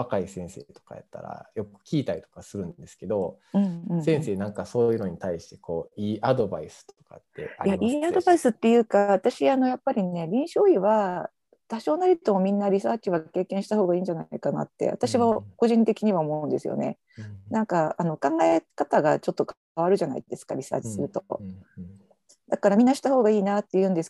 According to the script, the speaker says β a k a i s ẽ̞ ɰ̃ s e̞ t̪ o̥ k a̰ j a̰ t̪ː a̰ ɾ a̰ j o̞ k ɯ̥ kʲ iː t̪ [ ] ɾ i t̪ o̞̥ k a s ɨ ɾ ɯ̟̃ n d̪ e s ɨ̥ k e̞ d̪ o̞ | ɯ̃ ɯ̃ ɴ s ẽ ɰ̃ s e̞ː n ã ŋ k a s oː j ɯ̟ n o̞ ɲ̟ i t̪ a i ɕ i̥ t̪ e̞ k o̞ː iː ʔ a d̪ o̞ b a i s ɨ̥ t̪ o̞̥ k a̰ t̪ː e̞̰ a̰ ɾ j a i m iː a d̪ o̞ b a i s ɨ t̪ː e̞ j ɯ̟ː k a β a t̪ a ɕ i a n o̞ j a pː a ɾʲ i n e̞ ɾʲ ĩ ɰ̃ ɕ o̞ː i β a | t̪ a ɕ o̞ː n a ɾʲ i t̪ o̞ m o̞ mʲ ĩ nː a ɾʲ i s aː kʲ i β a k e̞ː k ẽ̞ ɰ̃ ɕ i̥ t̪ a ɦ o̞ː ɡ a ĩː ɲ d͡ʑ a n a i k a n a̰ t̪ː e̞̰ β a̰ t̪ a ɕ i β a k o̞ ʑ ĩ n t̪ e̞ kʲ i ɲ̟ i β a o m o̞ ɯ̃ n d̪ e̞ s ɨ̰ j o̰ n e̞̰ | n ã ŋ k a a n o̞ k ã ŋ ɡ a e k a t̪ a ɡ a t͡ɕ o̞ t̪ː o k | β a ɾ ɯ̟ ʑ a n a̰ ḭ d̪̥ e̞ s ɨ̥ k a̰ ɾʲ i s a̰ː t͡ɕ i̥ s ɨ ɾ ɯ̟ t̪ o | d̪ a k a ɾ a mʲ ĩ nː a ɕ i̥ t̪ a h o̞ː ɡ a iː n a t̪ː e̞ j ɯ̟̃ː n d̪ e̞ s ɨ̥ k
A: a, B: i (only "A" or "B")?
A